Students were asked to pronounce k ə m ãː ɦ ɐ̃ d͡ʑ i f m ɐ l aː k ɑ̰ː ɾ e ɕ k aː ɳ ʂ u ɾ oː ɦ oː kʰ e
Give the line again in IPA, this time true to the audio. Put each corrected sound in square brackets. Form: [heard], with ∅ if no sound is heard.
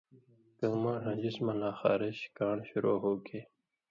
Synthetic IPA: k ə m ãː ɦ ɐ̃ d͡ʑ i [s] m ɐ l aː [x] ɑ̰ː ɾ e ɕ k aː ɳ [ɕ] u ɾ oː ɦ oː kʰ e